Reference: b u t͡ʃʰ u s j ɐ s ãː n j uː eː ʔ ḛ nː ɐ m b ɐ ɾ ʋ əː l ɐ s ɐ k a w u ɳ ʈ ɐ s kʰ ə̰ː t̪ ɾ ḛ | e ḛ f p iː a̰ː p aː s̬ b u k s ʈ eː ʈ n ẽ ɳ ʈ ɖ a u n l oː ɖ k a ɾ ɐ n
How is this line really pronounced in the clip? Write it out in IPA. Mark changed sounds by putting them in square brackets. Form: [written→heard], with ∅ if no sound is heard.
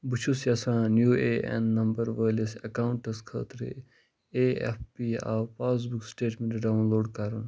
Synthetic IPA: b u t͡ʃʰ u s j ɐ s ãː n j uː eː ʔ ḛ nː ɐ m b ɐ ɾ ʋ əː l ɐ s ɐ k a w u ɳ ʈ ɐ s kʰ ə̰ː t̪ ɾ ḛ | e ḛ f p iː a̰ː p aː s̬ b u k s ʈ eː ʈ [n→m] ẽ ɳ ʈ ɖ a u n l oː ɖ k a ɾ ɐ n